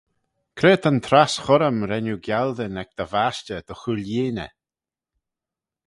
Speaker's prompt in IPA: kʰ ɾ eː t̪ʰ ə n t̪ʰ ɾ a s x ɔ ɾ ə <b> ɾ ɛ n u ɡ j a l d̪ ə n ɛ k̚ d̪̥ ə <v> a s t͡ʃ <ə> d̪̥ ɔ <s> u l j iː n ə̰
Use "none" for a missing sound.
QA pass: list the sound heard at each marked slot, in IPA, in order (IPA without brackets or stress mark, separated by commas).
m, v, ə, x